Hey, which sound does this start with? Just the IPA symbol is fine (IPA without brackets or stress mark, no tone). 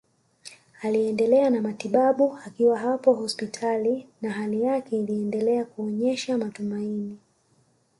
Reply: a